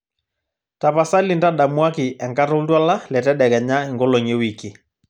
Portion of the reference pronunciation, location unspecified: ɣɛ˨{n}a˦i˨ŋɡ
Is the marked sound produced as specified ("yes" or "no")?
no